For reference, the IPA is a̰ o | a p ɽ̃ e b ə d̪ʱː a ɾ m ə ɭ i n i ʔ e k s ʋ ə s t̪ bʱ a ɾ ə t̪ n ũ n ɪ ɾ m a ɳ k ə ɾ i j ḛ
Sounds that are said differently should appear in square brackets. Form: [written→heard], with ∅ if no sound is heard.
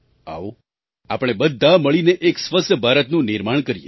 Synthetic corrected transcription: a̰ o | a p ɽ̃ e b ə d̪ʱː a [ɾ→∅] m ə ɭ i n [i→e] ʔ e k s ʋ ə s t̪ bʱ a ɾ ə t̪ n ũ n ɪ ɾ m a ɳ k ə ɾ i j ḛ